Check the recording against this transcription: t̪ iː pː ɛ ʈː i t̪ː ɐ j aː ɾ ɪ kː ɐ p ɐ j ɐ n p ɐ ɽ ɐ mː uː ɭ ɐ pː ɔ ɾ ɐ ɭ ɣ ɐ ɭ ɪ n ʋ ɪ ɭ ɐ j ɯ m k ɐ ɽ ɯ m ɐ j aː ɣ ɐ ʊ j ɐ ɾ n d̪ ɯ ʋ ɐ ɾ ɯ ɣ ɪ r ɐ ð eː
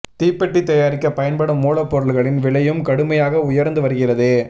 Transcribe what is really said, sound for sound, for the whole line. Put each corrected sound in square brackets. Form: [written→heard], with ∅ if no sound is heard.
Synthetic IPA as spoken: t̪ iː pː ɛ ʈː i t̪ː ɐ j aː ɾ ɪ kː ɐ p ɐ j ɐ n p ɐ ɽ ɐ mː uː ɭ ɐ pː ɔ ɾ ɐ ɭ ɣ ɐ ɭ ɪ n ʋ ɪ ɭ ɐ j ɯ m k ɐ ɽ ɯ m ɐ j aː ɣ ɐ ʊ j ɐ ɾ n d̪ ɯ ʋ ɐ ɾ ɯ ɣ ɪ r ɐ ð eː